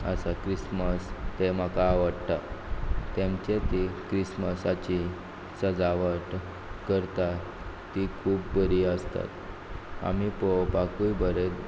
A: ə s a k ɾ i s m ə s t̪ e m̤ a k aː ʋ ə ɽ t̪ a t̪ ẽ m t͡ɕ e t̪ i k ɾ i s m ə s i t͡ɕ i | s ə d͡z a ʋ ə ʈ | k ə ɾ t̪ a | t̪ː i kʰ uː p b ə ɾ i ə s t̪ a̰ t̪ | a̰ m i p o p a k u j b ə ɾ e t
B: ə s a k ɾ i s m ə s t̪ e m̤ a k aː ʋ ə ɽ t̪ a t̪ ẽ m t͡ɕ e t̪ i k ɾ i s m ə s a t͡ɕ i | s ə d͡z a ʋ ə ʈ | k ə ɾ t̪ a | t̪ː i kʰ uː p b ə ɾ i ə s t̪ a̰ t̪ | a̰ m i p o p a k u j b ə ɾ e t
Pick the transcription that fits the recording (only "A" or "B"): B